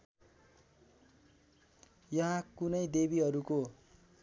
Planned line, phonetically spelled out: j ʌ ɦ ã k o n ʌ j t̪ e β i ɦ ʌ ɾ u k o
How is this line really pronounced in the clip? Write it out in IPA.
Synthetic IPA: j ʌ ɦ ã k u n ʌ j d̪ e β i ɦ ʌ ɾ u k o